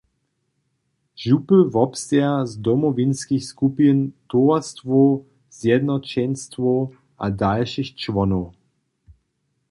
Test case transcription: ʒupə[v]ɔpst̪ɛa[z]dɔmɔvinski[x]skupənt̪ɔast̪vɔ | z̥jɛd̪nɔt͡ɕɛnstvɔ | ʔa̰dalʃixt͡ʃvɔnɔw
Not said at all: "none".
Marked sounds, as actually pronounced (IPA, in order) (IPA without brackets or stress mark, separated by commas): v, z, x